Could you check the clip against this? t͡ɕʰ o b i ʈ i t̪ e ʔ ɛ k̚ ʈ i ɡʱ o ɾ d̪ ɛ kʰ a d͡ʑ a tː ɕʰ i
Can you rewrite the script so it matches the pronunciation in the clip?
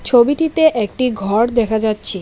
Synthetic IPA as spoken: t͡ɕʰ o b i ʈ i t̪ e ʔ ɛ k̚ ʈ i ɡʱ ɔ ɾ d̪ ɛ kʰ a d͡ʑ a tː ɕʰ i